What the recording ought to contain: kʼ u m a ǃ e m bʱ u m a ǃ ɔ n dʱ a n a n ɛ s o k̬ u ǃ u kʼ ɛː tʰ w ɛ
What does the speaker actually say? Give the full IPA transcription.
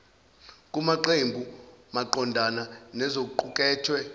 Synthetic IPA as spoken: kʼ u m a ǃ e m bʱ u m a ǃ ɔ n dʱ a n a n ɛ z o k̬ u ǃ u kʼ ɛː tʰ w ɛ